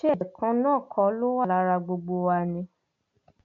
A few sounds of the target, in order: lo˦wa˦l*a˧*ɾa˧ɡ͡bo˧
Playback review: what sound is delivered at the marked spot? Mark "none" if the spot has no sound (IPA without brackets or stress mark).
a˧